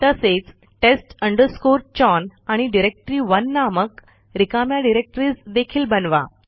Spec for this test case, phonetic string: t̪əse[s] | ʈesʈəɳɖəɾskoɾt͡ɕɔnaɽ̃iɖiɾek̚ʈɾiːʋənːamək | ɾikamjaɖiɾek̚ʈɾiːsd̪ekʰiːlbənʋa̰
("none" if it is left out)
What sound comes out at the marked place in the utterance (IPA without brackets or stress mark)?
t͡s